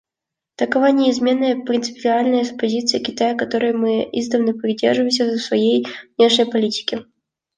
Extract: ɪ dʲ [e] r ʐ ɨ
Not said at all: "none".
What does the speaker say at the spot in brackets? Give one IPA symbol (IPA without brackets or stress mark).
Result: e